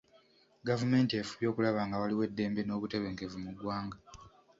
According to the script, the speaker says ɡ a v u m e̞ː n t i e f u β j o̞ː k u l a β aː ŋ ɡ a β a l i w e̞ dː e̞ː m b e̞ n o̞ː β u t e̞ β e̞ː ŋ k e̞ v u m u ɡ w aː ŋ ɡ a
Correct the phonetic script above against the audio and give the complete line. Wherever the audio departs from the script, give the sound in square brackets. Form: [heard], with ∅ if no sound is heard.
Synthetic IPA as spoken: ɡ a v u m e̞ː n t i e f u β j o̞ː k u l a β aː ŋ ɡ a [w] a l i w e̞ dː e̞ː m b e̞ n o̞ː β u t e̞ β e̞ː ŋ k e̞ v u m u ɡ w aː ŋ ɡ a